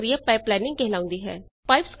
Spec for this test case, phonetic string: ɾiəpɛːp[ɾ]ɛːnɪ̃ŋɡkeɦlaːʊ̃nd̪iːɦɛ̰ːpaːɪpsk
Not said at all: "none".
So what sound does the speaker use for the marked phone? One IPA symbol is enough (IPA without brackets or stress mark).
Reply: l